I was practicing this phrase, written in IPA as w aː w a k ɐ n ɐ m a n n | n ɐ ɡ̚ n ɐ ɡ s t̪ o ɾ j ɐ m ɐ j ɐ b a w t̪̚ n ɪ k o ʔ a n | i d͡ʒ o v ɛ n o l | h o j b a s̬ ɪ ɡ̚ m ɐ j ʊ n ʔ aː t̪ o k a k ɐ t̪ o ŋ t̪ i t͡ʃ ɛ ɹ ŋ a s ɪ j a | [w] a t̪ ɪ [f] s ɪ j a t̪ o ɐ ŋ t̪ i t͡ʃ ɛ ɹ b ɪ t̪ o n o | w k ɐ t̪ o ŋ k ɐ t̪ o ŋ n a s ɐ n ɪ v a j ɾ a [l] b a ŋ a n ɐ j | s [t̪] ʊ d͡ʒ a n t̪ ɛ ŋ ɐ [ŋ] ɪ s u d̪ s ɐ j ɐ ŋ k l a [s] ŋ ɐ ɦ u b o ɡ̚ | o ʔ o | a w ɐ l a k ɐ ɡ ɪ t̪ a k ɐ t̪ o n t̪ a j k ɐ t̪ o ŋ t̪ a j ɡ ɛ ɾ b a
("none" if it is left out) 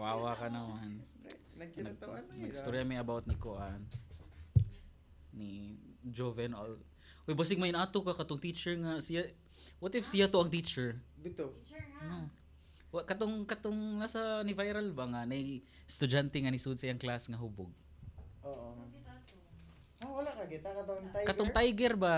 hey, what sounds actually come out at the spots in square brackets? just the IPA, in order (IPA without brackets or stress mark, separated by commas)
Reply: w, f, l, t̪, n, s